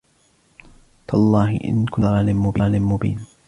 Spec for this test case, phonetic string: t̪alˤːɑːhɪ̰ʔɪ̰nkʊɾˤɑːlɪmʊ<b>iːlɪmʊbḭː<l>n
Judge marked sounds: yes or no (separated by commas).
yes, no